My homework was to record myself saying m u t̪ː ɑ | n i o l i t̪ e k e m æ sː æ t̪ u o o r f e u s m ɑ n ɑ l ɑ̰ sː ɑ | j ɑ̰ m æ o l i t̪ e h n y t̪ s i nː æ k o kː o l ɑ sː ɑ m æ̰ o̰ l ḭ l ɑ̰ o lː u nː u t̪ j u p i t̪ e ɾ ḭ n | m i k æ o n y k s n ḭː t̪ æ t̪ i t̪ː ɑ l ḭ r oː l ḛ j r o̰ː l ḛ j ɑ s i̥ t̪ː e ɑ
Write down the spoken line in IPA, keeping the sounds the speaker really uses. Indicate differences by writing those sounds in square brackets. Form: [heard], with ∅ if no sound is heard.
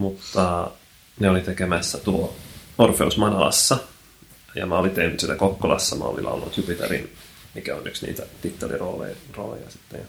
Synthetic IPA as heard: m u t̪ː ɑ | n [e] o l i t̪ e k e m æ sː æ t̪ u o o r f e u s m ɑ n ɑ l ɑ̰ sː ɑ | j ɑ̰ m æ o l i t̪ e h n y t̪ s i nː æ k o kː o l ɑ sː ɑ m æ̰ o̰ l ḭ l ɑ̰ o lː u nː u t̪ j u p i t̪ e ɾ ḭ n | m i k æ o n y k s n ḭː t̪ æ t̪ i t̪ː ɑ l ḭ r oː l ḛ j r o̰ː l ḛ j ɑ s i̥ t̪ː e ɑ